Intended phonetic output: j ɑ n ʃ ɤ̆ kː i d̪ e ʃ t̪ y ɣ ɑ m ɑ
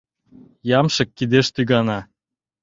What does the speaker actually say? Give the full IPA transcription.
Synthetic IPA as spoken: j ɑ m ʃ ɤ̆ kː i d̪ e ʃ t̪ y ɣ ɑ n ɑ